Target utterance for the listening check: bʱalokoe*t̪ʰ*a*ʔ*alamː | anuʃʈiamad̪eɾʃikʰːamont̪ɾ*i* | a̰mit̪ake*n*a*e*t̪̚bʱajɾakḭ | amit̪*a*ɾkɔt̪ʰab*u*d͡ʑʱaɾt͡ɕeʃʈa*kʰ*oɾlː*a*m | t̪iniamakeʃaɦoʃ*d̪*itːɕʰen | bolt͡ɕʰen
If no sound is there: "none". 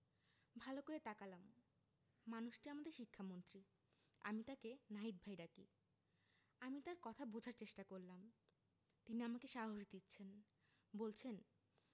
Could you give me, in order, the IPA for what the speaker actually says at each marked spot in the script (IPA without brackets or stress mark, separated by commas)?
t̪, k, i, n, i, a, o, k, a, d̪